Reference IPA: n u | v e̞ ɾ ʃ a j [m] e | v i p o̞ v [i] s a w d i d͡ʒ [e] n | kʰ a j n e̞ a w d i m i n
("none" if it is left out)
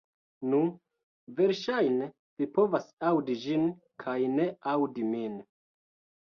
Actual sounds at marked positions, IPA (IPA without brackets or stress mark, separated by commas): n, a, i